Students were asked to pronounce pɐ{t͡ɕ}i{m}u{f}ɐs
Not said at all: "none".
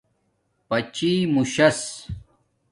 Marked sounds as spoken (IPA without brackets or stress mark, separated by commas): t͡ɕ, m, ɕ